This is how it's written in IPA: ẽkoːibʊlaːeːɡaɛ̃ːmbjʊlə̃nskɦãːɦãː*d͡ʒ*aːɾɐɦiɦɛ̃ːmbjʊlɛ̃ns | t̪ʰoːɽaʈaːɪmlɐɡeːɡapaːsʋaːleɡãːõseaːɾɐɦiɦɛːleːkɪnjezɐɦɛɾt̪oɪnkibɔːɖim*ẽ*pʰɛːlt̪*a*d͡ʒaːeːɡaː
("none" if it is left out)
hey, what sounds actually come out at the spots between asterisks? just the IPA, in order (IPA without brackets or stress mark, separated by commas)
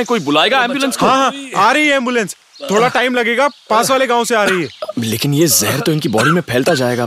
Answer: none, ẽ, a